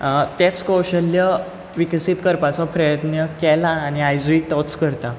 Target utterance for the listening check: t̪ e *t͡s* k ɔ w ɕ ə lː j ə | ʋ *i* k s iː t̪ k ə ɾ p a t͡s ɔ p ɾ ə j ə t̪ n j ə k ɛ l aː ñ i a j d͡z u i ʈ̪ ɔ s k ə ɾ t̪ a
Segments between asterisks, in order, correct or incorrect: correct, correct

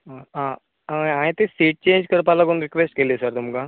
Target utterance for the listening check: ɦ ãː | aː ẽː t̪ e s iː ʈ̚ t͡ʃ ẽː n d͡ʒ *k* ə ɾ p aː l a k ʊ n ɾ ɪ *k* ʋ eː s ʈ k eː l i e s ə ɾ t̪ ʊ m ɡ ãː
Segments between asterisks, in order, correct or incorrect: correct, correct

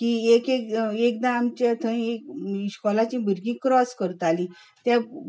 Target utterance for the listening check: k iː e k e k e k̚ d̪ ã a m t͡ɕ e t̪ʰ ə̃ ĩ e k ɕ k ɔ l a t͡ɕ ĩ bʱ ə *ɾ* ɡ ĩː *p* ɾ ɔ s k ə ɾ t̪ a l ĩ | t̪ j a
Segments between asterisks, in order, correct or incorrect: correct, incorrect: k

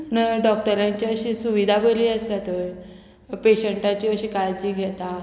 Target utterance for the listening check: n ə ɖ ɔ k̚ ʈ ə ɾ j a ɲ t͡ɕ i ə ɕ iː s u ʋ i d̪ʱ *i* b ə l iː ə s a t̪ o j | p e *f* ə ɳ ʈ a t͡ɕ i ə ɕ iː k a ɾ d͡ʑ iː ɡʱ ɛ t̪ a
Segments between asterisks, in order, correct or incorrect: incorrect: a, incorrect: ɕ

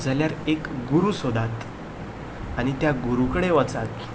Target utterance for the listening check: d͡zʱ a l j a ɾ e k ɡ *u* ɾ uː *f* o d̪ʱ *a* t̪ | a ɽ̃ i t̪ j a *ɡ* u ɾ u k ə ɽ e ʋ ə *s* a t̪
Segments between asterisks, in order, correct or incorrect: correct, incorrect: s, correct, correct, incorrect: t͡s

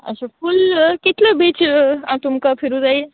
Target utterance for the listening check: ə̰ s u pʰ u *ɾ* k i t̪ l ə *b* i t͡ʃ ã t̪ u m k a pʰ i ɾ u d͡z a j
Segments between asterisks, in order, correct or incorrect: incorrect: l, correct

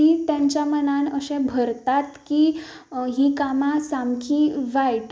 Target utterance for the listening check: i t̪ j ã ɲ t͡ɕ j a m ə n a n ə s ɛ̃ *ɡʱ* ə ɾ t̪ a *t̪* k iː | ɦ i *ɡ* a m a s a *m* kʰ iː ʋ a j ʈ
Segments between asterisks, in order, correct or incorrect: incorrect: bʱ, correct, incorrect: k, correct

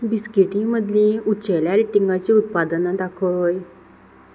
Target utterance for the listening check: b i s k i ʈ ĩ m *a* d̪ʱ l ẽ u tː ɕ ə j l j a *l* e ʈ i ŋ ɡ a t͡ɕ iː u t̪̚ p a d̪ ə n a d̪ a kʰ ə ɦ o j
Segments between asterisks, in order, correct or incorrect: incorrect: ə, incorrect: ɾ

